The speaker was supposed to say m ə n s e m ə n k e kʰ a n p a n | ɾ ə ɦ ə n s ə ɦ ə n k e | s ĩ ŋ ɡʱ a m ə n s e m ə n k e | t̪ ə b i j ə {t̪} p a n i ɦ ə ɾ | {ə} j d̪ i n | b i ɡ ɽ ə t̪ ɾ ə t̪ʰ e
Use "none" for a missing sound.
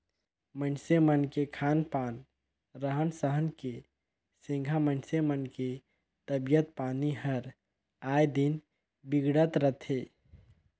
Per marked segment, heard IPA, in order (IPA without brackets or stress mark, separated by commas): t̪, a